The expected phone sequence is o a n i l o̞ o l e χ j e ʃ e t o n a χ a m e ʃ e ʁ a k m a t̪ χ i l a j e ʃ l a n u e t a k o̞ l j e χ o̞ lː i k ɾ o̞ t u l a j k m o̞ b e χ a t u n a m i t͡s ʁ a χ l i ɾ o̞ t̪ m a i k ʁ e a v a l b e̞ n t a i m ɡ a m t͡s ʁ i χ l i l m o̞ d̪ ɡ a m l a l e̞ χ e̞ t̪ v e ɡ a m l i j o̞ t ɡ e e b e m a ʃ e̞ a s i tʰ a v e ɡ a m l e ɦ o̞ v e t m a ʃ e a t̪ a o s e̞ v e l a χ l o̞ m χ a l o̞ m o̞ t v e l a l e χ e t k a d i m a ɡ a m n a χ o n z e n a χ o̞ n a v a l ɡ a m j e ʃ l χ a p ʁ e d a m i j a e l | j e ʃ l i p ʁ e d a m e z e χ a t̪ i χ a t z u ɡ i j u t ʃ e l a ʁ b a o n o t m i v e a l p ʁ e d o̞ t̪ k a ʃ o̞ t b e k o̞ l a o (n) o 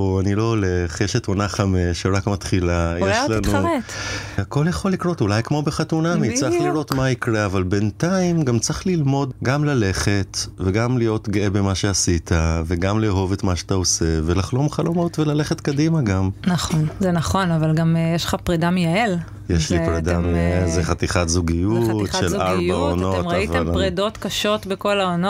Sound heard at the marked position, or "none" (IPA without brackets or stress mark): n